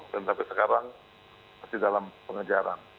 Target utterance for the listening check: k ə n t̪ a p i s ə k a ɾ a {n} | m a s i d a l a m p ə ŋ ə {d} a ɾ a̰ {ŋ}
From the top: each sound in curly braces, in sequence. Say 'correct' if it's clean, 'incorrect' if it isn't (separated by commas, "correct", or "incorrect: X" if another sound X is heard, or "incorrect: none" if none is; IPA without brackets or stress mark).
incorrect: ŋ, incorrect: d͡ʒ, incorrect: n